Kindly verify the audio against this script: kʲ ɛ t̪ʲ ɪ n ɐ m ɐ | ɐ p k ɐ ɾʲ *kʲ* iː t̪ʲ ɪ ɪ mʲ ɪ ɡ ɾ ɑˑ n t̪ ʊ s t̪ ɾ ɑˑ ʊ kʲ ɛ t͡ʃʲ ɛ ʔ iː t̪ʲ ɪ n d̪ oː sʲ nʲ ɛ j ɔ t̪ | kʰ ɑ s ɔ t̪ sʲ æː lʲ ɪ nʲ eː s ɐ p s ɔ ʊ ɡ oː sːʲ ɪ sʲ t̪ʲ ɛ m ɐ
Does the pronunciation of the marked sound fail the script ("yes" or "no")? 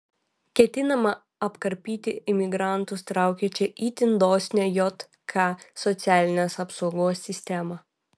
yes